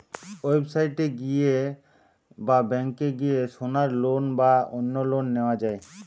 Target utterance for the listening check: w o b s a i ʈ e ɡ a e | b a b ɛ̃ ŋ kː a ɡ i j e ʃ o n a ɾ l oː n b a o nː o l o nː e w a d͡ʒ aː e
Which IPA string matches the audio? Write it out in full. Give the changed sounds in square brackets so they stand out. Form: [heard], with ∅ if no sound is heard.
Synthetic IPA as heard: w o b s a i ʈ e ɡ [i] e | b a b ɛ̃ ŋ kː [e] ɡ i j e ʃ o n a ɾ l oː n b a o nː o l o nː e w a d͡ʒ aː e